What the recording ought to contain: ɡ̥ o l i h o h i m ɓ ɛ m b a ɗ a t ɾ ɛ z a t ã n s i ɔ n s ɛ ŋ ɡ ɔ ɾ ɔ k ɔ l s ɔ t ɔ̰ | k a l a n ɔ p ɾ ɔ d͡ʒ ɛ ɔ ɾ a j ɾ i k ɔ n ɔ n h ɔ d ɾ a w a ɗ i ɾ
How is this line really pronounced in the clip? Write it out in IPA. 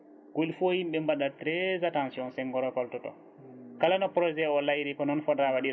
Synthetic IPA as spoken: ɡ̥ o l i f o h i m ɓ ɛ m b a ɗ a t ɾ ɛ z a t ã n s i ɔ n s ɛ ŋ ɡ ɔ ɾ ɔ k ɔ l t ɔ t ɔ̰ | k a l a n ɔ p ɾ ɔ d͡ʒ ɛ ɔ l a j ɾ i k ɔ n ɔ n f ɔ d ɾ a w a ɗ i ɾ